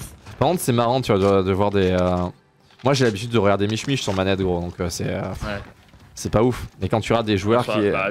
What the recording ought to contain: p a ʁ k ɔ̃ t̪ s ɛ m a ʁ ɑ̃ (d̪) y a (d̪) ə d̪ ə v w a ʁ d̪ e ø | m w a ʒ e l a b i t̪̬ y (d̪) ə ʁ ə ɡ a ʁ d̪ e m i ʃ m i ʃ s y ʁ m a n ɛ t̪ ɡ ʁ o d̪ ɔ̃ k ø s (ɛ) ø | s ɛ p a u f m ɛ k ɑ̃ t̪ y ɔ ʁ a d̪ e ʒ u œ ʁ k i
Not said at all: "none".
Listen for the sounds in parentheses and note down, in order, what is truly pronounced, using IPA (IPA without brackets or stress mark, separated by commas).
t̪, d̪, d̪ː, ɛ